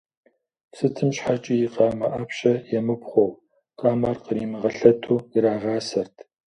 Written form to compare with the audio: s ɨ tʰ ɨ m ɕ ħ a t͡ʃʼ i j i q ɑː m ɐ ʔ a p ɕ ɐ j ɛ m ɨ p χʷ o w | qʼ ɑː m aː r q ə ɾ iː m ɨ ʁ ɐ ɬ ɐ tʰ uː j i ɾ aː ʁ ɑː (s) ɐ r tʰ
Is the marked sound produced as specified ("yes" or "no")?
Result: yes